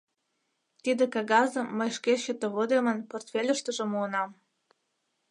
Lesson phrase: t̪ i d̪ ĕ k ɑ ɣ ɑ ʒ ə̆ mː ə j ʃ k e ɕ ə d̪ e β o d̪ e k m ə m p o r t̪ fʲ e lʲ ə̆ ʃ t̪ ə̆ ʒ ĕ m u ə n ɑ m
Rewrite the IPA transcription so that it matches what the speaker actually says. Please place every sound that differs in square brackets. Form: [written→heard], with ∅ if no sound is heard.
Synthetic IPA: t̪ i d̪ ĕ k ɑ ɣ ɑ [ʒ→z] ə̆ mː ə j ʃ k e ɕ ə [d̪→t̪] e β o d̪ e [k→∅] m ə [m→n] p o r t̪ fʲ e lʲ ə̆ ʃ t̪ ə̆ ʒ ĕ m u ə n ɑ m